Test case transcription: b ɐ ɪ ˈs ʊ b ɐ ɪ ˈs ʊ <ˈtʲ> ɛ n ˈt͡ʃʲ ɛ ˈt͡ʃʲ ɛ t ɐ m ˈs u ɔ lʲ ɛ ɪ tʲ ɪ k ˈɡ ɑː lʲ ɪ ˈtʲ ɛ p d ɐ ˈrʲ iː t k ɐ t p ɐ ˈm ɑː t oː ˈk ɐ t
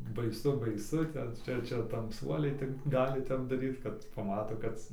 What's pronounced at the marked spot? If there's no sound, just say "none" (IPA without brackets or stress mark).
tʲ